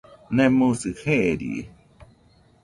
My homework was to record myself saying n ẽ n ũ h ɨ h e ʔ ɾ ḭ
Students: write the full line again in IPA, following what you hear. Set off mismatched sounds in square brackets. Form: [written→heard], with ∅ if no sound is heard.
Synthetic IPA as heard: n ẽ [n→m] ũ [h→s] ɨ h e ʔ ɾ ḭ